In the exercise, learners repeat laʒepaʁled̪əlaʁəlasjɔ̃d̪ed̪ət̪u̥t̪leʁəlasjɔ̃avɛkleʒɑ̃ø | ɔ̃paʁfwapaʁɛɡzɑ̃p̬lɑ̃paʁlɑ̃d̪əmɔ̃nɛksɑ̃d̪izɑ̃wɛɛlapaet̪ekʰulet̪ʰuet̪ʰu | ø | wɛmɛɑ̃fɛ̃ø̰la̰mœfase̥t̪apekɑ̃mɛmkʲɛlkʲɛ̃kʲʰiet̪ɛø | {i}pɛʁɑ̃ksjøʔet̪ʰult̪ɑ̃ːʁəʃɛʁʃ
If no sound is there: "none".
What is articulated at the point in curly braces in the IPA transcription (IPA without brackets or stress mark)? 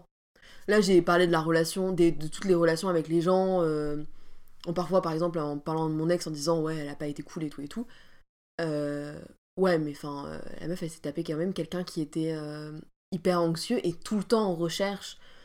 i